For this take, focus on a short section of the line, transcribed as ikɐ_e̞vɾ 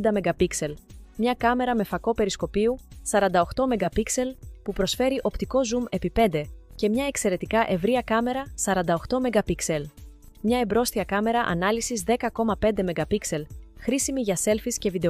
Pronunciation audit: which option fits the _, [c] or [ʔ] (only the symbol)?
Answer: ʔ